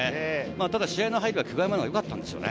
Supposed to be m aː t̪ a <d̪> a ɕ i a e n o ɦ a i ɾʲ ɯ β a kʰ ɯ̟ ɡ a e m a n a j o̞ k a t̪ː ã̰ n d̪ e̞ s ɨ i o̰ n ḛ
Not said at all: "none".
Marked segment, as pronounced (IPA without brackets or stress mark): d̪